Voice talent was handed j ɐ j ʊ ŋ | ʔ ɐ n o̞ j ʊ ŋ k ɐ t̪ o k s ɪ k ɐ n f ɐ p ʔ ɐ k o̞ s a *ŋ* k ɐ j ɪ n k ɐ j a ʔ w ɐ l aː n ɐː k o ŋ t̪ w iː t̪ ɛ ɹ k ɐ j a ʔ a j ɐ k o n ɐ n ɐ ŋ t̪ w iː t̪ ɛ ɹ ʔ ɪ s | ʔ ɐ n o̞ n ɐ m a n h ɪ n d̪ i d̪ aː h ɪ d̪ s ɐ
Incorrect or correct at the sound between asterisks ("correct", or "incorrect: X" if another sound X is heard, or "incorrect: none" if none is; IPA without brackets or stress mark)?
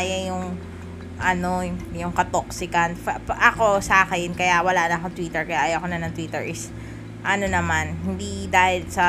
incorrect: none